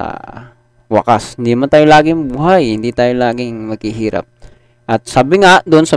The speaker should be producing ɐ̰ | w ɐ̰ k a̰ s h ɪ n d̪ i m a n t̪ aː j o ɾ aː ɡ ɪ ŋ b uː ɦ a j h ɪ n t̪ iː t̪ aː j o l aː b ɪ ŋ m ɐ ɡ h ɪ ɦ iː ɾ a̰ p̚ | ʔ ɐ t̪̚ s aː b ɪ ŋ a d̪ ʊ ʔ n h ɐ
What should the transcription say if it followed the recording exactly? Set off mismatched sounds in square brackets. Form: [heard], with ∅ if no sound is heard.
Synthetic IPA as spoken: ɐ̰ | w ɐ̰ k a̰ s h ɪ n d̪ i m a n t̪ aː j o [l] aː ɡ ɪ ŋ b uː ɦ a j h ɪ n [d̪] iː t̪ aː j o l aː [ɡ] ɪ ŋ m ɐ ɡ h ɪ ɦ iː ɾ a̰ p̚ | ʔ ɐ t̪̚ s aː b ɪ ŋ a d̪ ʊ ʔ n [s] ɐ